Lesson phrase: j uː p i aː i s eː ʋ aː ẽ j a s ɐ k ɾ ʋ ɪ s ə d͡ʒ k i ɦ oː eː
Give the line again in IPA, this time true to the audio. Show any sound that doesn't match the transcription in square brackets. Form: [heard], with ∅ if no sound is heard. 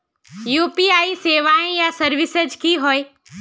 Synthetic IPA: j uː p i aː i s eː ʋ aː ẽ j a s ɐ [∅] ɾ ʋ ɪ s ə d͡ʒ k i ɦ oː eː